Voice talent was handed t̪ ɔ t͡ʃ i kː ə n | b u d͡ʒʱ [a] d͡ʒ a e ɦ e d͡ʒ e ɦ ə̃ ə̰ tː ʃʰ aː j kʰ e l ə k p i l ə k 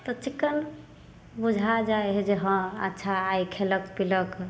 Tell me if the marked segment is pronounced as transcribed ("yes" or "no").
yes